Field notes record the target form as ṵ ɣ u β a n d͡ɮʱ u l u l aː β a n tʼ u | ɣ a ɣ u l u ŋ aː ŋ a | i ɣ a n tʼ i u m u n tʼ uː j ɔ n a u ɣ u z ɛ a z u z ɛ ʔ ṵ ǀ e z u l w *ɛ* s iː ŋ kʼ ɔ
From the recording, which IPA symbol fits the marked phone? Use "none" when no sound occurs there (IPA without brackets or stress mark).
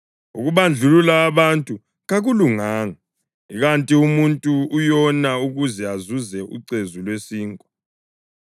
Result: e